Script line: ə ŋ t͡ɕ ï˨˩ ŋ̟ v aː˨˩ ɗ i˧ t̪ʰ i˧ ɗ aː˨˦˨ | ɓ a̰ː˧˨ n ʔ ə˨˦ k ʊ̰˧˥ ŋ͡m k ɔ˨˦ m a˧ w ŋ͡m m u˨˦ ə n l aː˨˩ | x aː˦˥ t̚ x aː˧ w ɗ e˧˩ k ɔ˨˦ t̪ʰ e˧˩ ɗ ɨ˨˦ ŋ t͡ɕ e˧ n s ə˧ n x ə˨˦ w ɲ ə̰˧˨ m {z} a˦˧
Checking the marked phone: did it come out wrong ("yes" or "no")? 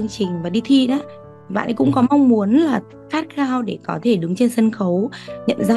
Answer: no